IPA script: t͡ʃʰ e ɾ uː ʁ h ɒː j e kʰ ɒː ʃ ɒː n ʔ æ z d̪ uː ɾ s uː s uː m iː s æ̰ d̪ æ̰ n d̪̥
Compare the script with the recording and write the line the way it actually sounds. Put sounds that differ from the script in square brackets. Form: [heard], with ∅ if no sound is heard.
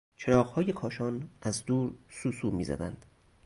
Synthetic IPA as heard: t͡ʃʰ e ɾ [ɒː] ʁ h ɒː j e kʰ ɒː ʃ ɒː n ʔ æ z d̪ uː ɾ s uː s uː m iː [z] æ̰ d̪ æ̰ n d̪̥